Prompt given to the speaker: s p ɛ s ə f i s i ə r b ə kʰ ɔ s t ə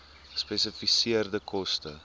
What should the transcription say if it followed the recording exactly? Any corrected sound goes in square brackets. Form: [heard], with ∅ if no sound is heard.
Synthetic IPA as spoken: s p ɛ s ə f i s i ə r [d] ə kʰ ɔ s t ə